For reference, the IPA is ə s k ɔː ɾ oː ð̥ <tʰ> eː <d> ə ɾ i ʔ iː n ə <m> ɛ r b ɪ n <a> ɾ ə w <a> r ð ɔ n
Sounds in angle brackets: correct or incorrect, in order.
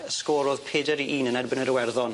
incorrect, correct, incorrect, incorrect, incorrect

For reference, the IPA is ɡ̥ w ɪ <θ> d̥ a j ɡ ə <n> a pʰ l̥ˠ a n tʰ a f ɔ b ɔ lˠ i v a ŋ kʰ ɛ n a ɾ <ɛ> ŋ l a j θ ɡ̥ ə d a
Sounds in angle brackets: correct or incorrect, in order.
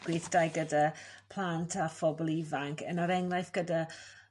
correct, incorrect, correct

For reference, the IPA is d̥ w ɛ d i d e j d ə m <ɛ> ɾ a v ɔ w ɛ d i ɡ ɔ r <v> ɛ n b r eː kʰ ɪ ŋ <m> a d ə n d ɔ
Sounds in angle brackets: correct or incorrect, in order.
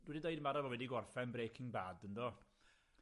incorrect, incorrect, incorrect

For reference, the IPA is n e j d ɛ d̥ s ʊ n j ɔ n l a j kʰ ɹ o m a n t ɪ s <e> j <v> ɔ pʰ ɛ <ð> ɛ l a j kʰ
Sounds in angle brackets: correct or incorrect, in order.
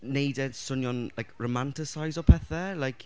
incorrect, incorrect, incorrect

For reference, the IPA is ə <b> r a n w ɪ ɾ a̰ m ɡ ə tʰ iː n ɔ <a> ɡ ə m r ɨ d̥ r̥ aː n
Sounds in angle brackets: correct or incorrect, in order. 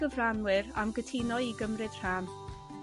incorrect, incorrect

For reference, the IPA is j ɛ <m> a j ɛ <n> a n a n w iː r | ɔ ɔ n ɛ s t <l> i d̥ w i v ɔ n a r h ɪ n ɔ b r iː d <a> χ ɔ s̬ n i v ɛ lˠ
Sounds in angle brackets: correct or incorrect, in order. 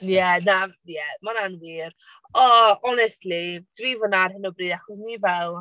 incorrect, incorrect, correct, correct

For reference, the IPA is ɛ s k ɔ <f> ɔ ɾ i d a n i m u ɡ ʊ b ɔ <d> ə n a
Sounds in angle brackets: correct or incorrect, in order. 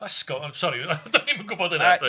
incorrect, correct

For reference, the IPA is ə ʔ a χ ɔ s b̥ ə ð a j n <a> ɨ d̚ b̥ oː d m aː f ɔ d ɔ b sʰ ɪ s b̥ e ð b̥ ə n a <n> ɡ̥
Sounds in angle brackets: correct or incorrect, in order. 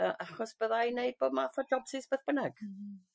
incorrect, incorrect

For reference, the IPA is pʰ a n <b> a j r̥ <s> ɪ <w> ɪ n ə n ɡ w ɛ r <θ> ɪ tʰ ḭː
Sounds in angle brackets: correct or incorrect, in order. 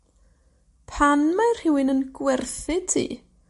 incorrect, incorrect, correct, correct

